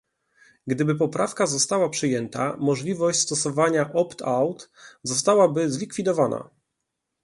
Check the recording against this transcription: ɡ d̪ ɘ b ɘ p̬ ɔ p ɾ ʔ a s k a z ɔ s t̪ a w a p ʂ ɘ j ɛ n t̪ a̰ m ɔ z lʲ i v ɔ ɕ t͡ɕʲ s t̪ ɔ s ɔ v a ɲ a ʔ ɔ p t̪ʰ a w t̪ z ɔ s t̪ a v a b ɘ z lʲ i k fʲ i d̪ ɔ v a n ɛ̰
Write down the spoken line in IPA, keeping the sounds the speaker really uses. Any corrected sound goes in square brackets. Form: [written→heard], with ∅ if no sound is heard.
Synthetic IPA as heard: ɡ d̪ ɘ b ɘ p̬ ɔ p ɾ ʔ a [s→f] k a z ɔ s t̪ a w a p ʂ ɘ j ɛ n t̪ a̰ m ɔ [z→ʐ] lʲ i v ɔ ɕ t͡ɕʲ s t̪ ɔ s ɔ v a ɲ a ʔ ɔ p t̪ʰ a w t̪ z ɔ s t̪ a [v→w] a b ɘ z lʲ i k fʲ i d̪ ɔ v a n [ɛ̰→a̰]